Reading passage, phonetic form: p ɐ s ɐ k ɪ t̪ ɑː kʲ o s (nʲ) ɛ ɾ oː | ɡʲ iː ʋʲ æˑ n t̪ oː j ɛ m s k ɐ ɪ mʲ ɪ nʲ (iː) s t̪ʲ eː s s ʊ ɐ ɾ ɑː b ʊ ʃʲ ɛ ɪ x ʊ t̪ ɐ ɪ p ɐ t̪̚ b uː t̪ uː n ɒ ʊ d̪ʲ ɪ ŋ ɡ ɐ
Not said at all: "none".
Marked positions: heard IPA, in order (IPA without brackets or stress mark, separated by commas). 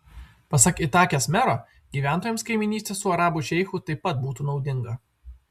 mʲ, iː